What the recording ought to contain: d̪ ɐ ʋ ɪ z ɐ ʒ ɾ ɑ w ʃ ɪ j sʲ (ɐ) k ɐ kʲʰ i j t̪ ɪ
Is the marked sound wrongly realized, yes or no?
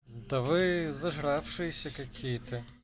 no